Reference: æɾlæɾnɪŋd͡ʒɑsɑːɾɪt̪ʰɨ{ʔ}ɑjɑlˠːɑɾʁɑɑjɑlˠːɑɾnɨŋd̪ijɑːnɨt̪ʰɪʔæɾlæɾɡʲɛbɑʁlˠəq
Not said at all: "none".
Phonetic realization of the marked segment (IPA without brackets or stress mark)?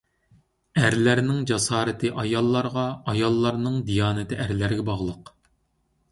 ʔ